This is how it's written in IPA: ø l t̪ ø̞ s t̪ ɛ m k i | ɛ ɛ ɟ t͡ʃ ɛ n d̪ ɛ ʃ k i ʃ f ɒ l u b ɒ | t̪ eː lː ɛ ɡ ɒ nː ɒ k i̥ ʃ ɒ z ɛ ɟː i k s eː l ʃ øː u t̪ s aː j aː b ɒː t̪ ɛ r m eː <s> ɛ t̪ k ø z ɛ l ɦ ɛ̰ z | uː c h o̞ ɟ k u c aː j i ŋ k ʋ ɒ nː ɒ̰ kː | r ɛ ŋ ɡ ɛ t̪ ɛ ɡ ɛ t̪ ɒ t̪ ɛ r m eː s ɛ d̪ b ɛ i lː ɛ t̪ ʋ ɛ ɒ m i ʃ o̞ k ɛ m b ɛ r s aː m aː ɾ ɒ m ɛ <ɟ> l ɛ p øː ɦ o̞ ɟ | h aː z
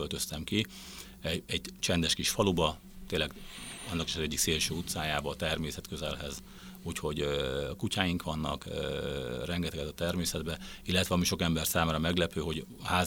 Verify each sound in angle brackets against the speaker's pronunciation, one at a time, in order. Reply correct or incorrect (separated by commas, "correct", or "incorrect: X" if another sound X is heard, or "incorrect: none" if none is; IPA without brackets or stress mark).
correct, incorrect: ɡ